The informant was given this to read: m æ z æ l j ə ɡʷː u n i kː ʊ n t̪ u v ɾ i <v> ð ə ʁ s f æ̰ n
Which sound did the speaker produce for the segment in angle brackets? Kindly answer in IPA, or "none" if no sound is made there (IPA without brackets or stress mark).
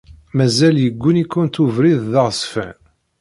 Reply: ð